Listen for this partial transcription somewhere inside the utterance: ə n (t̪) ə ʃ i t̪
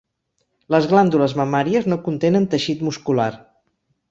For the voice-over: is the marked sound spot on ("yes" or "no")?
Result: yes